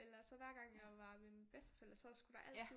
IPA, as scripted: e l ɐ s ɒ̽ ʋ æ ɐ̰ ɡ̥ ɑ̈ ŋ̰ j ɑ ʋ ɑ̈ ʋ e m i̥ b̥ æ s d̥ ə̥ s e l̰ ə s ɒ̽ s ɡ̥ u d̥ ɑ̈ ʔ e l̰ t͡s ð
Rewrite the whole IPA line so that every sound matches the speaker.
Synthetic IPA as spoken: e l ɐ s ɒ̽ ʋ æ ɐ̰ ɡ̥ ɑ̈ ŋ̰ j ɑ ʋ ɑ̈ ʋ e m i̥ b̥ e s d̥ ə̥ f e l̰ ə s ɒ̽ s ɡ̥ u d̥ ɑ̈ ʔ æ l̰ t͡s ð